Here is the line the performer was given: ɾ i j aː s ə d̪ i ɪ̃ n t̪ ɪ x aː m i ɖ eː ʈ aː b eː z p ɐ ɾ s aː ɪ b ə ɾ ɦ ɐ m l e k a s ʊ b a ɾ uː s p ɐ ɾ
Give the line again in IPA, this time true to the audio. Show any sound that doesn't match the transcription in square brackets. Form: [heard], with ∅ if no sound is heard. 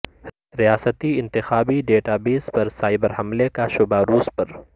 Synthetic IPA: ɾ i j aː s ə [t̪] i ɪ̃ n t̪ ɪ x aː [b] i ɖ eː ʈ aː b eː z p ɐ ɾ s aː ɪ b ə ɾ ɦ ɐ m l e k a [ʃ] ʊ b a ɾ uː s p ɐ ɾ

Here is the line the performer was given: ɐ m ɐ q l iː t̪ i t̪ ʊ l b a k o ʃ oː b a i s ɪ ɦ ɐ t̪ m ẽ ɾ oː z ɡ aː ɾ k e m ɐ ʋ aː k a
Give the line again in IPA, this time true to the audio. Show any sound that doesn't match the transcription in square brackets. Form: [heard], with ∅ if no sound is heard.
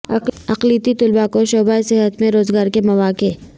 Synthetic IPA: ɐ [∅] ɐ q l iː t̪ i t̪ ʊ l b a k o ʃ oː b a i s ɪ ɦ [ə] t̪ m ẽ ɾ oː z ɡ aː ɾ k e m ɐ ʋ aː k [e]

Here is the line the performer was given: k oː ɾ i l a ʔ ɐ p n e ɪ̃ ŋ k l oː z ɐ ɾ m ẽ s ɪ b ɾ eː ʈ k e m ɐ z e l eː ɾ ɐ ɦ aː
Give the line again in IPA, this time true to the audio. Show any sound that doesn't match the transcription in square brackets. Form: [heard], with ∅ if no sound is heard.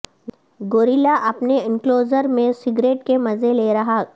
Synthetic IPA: [ɡ] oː ɾ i l a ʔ ɐ p n e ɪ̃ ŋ k l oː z [ə] ɾ m ẽ s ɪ [ɡ] ɾ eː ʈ k e m ɐ z e l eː ɾ ɐ ɦ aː

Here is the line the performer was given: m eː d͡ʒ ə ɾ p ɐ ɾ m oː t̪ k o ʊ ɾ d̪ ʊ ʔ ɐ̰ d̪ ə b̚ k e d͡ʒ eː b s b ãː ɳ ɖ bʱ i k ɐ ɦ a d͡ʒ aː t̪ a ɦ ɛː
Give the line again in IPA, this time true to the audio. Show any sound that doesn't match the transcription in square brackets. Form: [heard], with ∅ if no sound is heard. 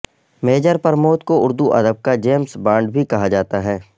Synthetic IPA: m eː d͡ʒ ə ɾ p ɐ ɾ m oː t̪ k o ʊ ɾ d̪ [u] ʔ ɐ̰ d̪ ə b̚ k [a] d͡ʒ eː [m] s b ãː ɳ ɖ bʱ i k ɐ ɦ a d͡ʒ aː t̪ a ɦ ɛː

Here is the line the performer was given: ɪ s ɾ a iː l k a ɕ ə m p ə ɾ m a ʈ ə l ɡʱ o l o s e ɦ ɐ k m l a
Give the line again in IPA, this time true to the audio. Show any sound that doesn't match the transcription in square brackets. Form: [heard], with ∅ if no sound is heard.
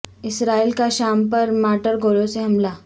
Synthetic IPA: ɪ s ɾ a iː l k a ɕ [a] m p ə ɾ m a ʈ ə [ɾ] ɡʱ o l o s e ɦ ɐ [∅] m l a

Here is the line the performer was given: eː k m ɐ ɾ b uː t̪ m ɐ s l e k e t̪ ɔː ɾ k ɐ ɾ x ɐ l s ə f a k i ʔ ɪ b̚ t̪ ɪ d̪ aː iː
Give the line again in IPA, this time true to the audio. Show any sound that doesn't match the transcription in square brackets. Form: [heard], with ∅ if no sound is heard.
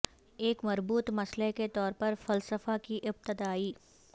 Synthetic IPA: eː k m ɐ ɾ b uː t̪ m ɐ s l e k e t̪ ɔː ɾ [p] ɐ ɾ [f] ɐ l s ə f a k i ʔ ɪ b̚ t̪ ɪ d̪ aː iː

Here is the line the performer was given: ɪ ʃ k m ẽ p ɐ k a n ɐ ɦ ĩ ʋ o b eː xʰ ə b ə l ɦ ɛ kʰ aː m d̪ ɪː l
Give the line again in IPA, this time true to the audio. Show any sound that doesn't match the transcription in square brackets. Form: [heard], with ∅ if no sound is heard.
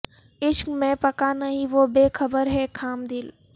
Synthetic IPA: ɪ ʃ k m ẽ p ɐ k a n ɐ ɦ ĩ ʋ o b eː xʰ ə b ə [ɾ] ɦ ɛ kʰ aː m d̪ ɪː l

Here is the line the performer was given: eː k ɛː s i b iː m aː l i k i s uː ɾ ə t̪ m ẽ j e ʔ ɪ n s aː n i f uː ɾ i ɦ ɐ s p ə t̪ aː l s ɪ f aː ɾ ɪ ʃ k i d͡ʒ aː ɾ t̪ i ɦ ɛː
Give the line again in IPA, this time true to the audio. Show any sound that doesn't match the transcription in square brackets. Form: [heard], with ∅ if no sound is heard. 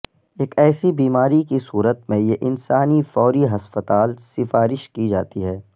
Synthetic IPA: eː k ɛː s i b iː m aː [ɾ] i k i s uː ɾ ə t̪ m ẽ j e ʔ ɪ n s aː n i f [ɔː] ɾ i ɦ ɐ s p ə t̪ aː l s ɪ f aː ɾ ɪ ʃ k i d͡ʒ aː [∅] t̪ i ɦ ɛː

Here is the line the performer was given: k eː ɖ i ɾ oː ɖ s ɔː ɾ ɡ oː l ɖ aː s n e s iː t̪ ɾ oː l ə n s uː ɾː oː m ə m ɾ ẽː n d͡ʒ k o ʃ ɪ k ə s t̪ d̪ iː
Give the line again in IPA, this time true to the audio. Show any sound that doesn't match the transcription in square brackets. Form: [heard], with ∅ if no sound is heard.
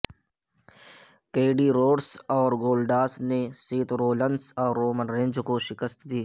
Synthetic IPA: k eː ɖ i ɾ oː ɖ s ɔː ɾ ɡ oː l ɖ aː s n e s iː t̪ ɾ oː l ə n s [ɔː] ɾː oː m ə [n] ɾ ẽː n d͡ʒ k o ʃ ɪ k ə s t̪ d̪ iː

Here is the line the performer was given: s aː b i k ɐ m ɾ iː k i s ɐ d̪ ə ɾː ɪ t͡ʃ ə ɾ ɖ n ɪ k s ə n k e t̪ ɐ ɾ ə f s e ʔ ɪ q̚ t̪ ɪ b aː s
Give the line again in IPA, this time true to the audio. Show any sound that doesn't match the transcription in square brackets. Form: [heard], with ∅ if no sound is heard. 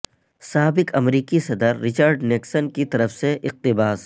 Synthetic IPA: s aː b [ɪ] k ɐ m ɾ iː k i s ɐ d̪ ə ɾː ɪ t͡ʃ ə ɾ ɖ n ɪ k s ə n k [i] t̪ ɐ ɾ ə f s e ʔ ɪ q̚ t̪ ɪ b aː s

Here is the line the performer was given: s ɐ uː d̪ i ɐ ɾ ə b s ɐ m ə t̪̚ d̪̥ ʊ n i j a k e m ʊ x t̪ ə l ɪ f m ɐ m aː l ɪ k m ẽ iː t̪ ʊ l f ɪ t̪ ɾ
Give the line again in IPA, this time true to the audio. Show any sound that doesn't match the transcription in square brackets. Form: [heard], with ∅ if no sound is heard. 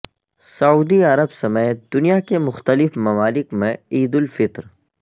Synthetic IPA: s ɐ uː d̪ i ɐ ɾ ə b s ɐ m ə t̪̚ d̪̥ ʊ n i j a k e m ʊ x t̪ ə l ɪ f m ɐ m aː l ɪ k m ẽ iː [d̪] ʊ l f ɪ t̪ ɾ

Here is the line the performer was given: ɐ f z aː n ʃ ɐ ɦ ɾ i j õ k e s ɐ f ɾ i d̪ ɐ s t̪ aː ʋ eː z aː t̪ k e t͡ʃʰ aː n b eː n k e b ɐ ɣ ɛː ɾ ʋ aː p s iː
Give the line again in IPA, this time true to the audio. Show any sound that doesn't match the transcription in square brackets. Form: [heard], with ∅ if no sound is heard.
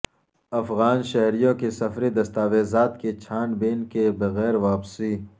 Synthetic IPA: ɐ f [ɣ] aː n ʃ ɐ ɦ ɾ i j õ k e s ɐ f ɾ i d̪ ɐ s t̪ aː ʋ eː z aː t̪ k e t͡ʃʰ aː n b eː n k e b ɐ ɣ ɛː ɾ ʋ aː p s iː

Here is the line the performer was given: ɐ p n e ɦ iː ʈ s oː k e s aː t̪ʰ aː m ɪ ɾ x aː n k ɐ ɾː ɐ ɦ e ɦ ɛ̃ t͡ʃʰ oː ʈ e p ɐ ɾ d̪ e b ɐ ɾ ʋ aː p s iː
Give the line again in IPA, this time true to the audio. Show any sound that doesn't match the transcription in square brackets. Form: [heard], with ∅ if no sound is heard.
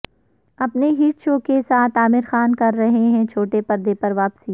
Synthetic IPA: ɐ p n e ɦ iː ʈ [ʃ] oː k e s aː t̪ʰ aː m ɪ ɾ x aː n k ɐ ɾː ɐ ɦ e ɦ ɛ̃ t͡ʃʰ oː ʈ e p ɐ ɾ d̪ e [p] ɐ ɾ ʋ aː p s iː

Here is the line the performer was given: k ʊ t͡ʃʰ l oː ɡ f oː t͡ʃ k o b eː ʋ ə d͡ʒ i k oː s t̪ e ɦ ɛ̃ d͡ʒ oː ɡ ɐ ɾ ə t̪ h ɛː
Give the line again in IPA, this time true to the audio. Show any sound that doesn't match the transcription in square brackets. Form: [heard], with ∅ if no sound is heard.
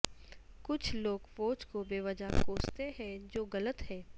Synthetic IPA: k ʊ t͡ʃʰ l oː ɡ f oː t͡ʃ k o b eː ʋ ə d͡ʒ [a] k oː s t̪ e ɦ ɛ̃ d͡ʒ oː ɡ ɐ [l] ə t̪ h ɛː

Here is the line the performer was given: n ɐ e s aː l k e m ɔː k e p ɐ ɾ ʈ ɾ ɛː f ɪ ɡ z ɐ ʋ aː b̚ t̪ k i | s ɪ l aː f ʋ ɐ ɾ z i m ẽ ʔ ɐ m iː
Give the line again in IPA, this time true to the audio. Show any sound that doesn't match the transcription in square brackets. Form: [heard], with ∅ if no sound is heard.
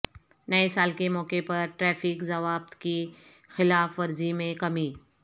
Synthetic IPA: n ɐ e s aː l k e m ɔː k e p ɐ ɾ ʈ ɾ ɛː f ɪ [k] z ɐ ʋ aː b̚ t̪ k i | [x] ɪ l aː f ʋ ɐ ɾ z i m ẽ [k] ɐ m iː

